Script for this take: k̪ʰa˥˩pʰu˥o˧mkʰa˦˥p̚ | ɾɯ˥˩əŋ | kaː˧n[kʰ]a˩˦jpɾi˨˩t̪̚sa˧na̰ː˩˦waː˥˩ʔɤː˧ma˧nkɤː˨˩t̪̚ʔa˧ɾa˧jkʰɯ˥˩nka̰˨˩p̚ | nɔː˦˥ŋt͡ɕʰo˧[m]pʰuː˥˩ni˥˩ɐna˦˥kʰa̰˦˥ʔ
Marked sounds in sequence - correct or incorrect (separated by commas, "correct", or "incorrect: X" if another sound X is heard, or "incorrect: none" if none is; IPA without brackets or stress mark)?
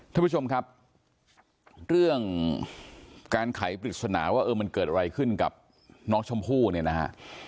correct, correct